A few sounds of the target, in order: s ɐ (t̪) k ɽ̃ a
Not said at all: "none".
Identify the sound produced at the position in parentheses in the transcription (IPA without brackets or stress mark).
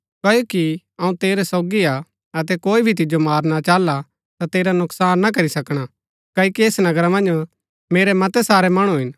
none